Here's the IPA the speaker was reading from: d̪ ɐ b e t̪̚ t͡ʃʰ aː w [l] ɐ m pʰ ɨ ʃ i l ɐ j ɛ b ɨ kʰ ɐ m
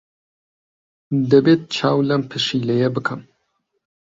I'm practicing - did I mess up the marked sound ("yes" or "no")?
no